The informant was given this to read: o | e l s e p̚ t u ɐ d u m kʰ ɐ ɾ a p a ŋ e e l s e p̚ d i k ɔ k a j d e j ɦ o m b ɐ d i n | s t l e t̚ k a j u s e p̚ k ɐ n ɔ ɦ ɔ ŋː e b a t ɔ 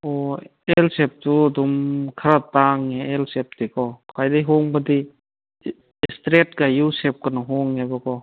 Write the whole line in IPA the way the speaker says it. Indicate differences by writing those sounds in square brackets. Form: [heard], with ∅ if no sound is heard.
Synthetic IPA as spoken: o | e l s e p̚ t u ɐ d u m kʰ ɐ ɾ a [t] a ŋ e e l s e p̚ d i k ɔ k a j d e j ɦ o [ŋ] b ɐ d i [∅] | s t [ɾ] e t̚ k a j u s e p̚ k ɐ n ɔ ɦ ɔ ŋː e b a [k] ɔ